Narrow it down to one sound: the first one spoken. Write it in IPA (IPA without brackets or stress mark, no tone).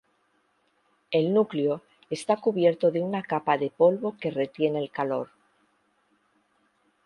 e̞